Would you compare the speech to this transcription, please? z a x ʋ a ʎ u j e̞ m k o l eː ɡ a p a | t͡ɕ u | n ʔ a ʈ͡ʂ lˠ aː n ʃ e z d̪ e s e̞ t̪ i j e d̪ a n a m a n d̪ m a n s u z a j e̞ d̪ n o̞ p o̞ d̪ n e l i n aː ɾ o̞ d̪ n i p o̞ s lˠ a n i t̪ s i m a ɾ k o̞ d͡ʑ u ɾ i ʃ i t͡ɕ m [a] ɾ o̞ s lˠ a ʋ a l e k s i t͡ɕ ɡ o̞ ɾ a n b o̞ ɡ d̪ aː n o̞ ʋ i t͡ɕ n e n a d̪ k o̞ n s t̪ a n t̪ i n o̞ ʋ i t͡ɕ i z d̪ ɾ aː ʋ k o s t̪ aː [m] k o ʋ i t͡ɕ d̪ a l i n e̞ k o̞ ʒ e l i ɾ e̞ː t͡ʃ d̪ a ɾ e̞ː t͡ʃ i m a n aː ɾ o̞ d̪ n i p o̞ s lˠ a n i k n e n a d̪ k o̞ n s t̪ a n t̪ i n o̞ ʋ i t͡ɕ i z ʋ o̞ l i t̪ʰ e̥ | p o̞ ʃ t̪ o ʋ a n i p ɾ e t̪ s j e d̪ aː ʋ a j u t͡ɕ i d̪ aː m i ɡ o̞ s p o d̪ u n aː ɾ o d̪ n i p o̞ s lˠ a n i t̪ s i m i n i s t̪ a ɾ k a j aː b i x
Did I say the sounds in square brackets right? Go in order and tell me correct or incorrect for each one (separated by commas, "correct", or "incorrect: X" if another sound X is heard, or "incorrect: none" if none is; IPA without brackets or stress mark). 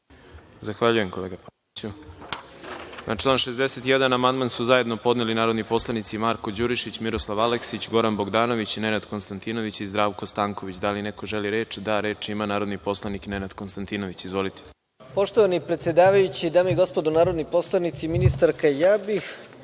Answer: incorrect: i, incorrect: ŋ